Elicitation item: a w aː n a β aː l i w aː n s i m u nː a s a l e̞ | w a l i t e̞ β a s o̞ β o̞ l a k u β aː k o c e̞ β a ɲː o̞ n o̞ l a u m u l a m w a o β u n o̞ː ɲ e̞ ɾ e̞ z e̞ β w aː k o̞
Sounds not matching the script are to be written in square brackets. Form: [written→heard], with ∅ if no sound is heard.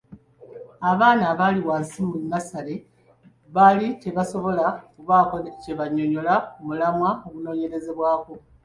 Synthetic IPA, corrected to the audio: a [w→β] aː n a β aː l i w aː n s i m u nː a s a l e̞ | [w→β] a l i [t→c] e̞ β a s o̞ β o̞ l a k u β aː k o c e̞ β a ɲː o̞ [n→ɲ] o̞ l a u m u l a m w a o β u n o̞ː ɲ e̞ ɾ e̞ z e̞ β w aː k o̞